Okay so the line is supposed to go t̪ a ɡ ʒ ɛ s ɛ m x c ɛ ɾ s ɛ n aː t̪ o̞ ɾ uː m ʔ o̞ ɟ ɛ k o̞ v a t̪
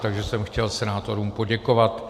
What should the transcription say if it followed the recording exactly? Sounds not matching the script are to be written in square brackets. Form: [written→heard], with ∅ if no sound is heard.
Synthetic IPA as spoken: t̪ a ɡ ʒ ɛ s ɛ m x c ɛ [ɾ→l] s ɛ n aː t̪ o̞ ɾ uː m [ʔ→p] o̞ ɟ ɛ k o̞ v a t̪